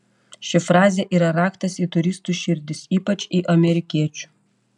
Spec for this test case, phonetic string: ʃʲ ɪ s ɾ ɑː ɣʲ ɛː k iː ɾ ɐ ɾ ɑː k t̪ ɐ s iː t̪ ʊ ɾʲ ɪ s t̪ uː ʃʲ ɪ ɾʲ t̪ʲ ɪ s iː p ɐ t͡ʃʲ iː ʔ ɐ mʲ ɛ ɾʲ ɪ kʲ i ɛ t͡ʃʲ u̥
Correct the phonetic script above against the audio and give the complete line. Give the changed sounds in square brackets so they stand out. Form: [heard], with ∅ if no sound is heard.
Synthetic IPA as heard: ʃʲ ɪ [f] ɾ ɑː [zʲ] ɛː [ʔ] iː ɾ ɐ ɾ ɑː k t̪ ɐ s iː t̪ ʊ ɾʲ ɪ s t̪ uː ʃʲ ɪ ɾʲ [d̪ʲ] ɪ s iː p ɐ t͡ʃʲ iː ʔ ɐ mʲ ɛ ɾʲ ɪ kʲ i ɛ t͡ʃʲ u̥